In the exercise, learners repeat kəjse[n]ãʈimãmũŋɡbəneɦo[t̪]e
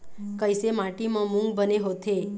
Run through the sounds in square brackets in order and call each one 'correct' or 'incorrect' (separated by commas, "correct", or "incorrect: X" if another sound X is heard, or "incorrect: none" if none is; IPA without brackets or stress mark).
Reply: incorrect: m, incorrect: t̪ʰ